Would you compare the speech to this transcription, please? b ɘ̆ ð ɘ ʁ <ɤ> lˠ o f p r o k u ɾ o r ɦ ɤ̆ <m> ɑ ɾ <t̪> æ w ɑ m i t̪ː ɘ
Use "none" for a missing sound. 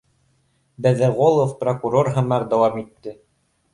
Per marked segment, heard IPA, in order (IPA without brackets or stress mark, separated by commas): o, m, d̪